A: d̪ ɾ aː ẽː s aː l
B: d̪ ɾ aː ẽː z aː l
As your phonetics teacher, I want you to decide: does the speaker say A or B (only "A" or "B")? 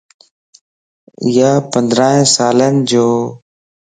A